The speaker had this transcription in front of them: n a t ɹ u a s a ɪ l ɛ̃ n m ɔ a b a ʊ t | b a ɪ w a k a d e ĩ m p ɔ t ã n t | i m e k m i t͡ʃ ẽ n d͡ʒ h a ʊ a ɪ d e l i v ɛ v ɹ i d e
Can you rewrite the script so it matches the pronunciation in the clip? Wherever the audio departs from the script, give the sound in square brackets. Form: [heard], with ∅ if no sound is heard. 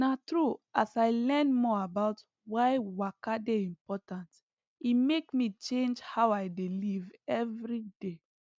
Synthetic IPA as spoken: n a t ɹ u a s a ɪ l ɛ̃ n m ɔ a b a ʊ t | [w] a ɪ w a k a d e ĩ m p ɔ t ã n t | i m e k m i t͡ʃ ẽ n d͡ʒ h a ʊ a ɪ d e l i v ɛ v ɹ i d e

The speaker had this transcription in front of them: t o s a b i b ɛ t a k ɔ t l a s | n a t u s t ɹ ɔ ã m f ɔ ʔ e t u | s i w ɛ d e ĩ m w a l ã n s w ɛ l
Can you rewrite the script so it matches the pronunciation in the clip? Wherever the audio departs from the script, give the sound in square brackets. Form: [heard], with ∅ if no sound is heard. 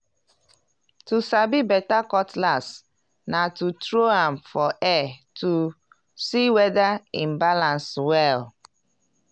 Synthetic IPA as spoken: t [u] s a b i b ɛ t a k ɔ t l a s | n a t u [∅] t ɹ [o] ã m f ɔ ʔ [ɛ] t u | s i w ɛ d [a] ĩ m [b] a l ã n s w ɛ l

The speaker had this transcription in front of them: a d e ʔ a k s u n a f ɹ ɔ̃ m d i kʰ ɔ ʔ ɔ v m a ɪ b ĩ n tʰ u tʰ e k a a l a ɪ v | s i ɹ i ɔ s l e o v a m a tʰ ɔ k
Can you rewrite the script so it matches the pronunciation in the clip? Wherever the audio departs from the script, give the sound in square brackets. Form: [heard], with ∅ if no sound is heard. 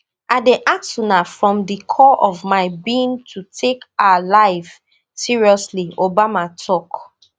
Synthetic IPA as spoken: a d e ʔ a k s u n a f ɹ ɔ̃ m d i kʰ ɔ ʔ ɔ v m a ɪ b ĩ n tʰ u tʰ e k a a l a ɪ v | s i ɹ i ɔ s l [i] o [b] a m a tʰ ɔ k

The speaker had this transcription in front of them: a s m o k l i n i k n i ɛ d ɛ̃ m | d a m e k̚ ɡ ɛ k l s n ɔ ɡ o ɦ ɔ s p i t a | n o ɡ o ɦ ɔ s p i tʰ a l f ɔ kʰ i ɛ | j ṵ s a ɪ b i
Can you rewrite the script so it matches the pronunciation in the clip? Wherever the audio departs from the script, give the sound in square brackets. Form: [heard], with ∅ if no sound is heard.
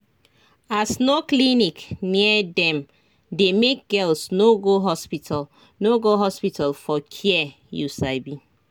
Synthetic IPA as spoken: a s [n] o k l i n i k n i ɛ d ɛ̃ m | d [e] m e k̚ ɡ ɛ [∅] l s n [o] ɡ o ɦ ɔ s p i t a | n o ɡ o ɦ ɔ s p i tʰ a l f ɔ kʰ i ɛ | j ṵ s a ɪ b i

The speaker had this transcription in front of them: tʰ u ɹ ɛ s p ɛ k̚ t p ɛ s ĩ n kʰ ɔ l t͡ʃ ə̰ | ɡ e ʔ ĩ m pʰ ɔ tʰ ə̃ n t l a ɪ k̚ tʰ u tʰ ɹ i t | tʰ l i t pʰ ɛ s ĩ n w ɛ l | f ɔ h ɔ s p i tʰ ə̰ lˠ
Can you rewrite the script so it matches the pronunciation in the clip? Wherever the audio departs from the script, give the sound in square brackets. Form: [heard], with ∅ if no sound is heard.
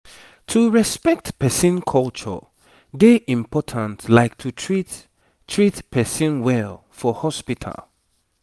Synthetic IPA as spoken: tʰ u ɹ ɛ s p ɛ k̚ t p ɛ s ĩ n kʰ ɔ l t͡ʃ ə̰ | ɡ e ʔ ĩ m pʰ ɔ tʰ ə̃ n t l a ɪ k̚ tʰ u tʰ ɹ i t | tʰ [ɹ] i t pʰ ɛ s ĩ n w ɛ l | f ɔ h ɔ s p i tʰ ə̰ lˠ

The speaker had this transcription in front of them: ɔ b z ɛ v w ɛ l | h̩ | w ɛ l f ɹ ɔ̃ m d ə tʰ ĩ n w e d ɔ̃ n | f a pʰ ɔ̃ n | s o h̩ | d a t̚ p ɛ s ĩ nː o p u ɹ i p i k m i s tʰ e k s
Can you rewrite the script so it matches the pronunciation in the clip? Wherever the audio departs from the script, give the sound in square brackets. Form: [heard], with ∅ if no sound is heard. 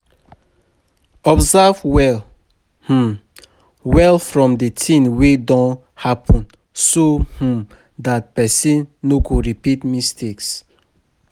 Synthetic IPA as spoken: ɔ b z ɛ v w ɛ l | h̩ | w ɛ l f ɹ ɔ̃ m d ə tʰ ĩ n w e d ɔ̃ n | [h] a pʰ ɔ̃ n | s o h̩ | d a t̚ p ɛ s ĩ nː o [k] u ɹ i p i [t] m i s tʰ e k s

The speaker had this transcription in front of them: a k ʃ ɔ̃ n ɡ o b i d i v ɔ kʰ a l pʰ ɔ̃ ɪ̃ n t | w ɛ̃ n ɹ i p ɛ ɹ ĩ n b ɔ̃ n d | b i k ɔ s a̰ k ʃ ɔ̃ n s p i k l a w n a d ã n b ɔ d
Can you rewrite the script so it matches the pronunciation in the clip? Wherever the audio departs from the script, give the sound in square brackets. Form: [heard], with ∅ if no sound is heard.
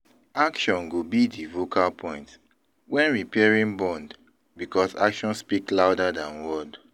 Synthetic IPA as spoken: a k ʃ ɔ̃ n ɡ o b i d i v [o] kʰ a l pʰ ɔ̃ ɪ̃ n t | w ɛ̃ n ɹ i p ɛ ɹ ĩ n b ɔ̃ n d | b i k ɔ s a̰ k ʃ ɔ̃ n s p i k l a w [d] a d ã n [w] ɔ d

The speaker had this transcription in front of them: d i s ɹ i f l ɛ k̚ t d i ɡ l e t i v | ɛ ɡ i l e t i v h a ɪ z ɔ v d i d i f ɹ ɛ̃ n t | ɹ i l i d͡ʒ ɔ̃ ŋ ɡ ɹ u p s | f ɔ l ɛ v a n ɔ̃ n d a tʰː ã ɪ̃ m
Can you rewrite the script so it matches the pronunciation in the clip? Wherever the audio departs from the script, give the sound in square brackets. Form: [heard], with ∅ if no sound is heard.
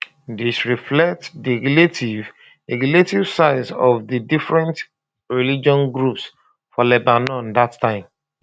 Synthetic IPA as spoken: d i s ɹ i f l ɛ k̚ t d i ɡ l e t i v | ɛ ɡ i l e t i v [s] a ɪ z ɔ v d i d i f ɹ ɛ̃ n t | ɹ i l i d͡ʒ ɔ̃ [n] ɡ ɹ u p s | f ɔ l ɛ [b] a n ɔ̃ n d a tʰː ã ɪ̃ m

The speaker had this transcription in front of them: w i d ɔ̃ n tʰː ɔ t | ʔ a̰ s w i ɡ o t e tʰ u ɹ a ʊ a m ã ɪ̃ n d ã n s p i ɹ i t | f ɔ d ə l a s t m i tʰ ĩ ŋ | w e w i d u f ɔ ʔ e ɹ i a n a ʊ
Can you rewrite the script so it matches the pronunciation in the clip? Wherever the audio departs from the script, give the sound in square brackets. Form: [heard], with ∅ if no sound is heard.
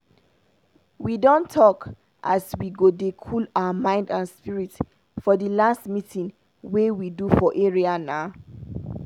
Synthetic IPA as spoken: w i d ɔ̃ n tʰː ɔ [k] | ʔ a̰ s w i ɡ o [d] e [kʰ] u [l] a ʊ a m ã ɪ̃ n d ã n s p i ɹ i t | f ɔ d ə l a s t m i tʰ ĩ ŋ | w e w i d u f ɔ ʔ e ɹ i a n a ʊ

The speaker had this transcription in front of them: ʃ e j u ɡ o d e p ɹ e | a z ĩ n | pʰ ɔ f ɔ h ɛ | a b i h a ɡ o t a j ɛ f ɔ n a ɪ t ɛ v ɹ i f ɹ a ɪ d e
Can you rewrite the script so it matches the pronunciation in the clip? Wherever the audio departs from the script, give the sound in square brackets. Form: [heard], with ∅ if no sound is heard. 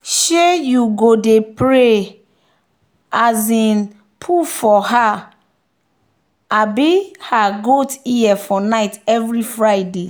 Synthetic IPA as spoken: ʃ e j u ɡ o d e p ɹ e | a z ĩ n | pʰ [u] f ɔ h [a] | a b i h a ɡ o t [i] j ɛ f ɔ n a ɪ t ɛ v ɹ i f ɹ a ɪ d e

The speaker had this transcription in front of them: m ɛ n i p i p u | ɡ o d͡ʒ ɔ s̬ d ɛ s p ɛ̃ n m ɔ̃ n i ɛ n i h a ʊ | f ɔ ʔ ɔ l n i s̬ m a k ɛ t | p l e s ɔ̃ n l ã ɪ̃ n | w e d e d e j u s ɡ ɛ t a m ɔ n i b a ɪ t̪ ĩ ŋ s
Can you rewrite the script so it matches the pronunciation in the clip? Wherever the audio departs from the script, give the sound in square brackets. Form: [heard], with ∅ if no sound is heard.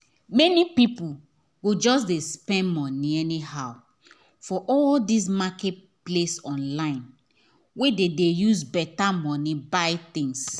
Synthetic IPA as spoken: m ɛ n i p i p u | ɡ o d͡ʒ ɔ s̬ d [e] s p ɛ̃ n m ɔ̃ n i ɛ n i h a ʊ | f ɔ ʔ ɔ l [d] i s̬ m a k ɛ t | p l e s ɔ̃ n l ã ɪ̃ n | w e d e d e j u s [b] ɛ t a m ɔ n i b a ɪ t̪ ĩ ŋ s

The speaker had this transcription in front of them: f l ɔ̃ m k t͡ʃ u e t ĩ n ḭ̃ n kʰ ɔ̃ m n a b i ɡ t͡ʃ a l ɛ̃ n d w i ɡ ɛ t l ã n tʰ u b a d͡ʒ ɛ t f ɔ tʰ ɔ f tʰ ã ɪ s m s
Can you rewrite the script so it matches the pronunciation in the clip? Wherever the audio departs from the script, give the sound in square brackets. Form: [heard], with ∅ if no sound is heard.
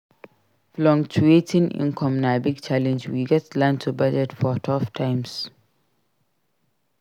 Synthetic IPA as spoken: f l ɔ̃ [ŋ] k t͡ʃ u e t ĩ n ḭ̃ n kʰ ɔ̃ m n a b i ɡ t͡ʃ a l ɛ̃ n [d͡ʒ] w i ɡ ɛ t l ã n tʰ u b a d͡ʒ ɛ t f ɔ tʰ ɔ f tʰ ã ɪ [∅] m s

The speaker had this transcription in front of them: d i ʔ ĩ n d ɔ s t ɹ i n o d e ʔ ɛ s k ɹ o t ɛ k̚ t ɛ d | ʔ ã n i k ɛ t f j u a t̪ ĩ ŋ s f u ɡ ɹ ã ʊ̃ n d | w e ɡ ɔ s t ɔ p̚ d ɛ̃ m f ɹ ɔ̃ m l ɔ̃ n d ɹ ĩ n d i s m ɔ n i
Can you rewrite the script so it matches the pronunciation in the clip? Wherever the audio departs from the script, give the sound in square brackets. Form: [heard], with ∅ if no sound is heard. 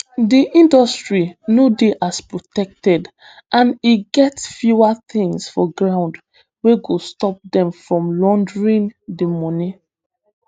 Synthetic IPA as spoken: d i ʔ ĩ n d ɔ s t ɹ i n o d e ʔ [a] s [p] ɹ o t ɛ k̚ t ɛ d | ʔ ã n i [ɡ] ɛ t f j u a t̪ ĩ ŋ s f [ɔ] ɡ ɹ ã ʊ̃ n d | w e ɡ [o] s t ɔ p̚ d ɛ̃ m f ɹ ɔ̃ m l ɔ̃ n d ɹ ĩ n d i [∅] m ɔ n i

